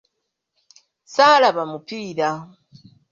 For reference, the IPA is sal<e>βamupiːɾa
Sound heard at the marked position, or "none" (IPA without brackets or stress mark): a